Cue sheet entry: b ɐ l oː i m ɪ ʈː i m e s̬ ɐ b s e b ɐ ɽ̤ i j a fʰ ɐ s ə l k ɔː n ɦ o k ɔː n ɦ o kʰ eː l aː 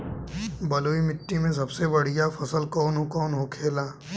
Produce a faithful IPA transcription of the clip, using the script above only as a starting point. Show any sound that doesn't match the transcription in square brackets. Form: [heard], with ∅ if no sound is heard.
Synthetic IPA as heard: b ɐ l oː i m ɪ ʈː i m [ẽ] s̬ ɐ b s e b ɐ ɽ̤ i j a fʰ ɐ s ə l k ɔː n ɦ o k ɔː n ɦ o kʰ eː l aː